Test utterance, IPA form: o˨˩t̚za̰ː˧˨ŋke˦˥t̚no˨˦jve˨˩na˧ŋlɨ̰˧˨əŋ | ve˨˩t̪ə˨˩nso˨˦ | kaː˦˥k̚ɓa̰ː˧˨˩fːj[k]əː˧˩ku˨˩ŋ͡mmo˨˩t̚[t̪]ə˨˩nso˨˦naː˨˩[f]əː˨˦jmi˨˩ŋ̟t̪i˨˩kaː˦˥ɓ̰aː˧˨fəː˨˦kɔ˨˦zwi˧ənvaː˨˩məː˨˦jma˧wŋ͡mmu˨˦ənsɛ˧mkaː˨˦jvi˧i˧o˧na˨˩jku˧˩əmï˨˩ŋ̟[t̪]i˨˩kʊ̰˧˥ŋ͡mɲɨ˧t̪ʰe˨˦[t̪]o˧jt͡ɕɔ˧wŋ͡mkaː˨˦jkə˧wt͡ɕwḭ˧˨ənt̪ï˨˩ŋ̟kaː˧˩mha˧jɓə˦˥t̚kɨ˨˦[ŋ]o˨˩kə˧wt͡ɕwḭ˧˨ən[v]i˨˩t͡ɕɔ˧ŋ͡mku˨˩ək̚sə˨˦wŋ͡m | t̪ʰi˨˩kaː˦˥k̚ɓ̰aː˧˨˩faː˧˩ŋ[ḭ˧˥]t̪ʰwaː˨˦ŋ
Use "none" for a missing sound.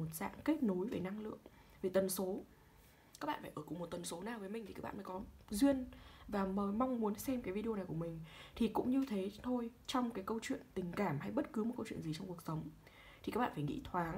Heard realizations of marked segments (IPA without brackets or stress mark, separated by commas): ʔ, t̪, v, t̪ʰ, t̪ʰ, m, z, ḭ˧˥